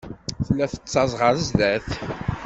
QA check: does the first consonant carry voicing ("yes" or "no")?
no